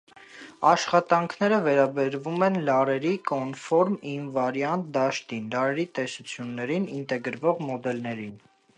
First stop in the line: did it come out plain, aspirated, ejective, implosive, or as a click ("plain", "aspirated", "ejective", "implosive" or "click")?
plain